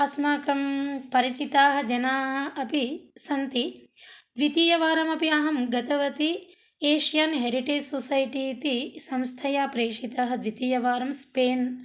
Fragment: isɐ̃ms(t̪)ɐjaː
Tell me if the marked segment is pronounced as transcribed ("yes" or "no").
no